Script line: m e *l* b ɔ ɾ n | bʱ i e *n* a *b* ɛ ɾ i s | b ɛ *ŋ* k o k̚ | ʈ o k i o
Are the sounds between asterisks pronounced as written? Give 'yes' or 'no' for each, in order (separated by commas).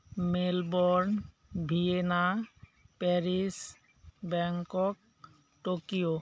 yes, yes, no, yes